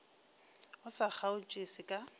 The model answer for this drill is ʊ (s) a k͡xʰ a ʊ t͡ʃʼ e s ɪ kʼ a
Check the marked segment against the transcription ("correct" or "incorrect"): correct